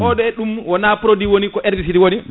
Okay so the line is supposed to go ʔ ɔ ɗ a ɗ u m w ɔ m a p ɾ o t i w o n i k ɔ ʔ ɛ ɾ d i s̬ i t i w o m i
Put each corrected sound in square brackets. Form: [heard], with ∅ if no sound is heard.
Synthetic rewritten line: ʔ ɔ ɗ [ɛ] ɗ u m w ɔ [n] a p ɾ o [d] i w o n i k ɔ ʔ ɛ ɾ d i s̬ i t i w o [n] i